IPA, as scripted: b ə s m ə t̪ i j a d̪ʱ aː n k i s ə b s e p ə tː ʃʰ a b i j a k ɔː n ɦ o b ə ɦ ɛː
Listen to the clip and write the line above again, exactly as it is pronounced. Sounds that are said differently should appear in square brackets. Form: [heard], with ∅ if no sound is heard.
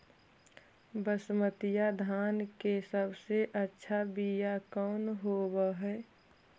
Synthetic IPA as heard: b ə s m ə t̪ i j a d̪ʱ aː n k [e] s ə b s e [ʔ] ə tː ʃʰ a b i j a k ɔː n ɦ o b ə ɦ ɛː